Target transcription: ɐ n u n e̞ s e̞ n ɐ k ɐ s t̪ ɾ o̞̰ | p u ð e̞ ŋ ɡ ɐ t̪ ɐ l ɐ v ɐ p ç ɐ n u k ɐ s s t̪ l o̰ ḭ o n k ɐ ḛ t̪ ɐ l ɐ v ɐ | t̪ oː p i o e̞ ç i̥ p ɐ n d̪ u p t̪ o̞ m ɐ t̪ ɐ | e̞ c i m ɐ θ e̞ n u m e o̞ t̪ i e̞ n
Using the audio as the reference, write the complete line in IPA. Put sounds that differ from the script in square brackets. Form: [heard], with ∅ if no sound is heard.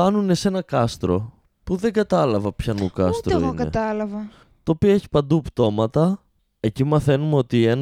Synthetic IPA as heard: ɐ n u n e̞ s e̞ n ɐ k ɐ s t̪ ɾ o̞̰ | p u ð e̞ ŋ ɡ ɐ t̪ ɐ l ɐ v ɐ p ç ɐ n u k ɐ s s t̪ [ɾ] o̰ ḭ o n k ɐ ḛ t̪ ɐ l ɐ v ɐ | t̪ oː p i o e̞ ç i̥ p ɐ n d̪ u p t̪ o̞ m ɐ t̪ ɐ | e̞ c i m ɐ θ e̞ n u m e o̞ t̪ i e̞ n